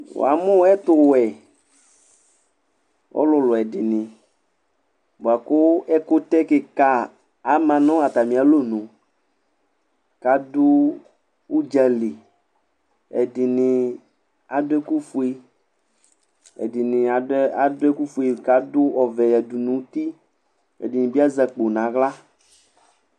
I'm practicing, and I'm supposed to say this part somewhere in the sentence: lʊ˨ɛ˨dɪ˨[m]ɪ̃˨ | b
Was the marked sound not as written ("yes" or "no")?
yes